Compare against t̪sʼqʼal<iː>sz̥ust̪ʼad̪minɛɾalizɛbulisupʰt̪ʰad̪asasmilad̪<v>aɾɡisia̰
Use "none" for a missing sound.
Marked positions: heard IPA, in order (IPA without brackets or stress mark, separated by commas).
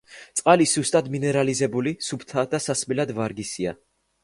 i, v